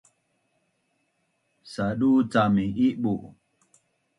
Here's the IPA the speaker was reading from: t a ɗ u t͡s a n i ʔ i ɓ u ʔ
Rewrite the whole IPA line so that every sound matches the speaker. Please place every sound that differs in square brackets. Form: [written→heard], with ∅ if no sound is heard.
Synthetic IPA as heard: [t→s] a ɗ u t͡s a [n→m] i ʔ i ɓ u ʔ

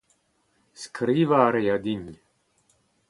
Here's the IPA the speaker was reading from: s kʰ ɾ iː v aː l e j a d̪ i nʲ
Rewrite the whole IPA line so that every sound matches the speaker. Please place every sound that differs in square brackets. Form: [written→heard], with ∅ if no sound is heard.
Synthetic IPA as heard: s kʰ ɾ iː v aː [l→ɾ] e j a d̪ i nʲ

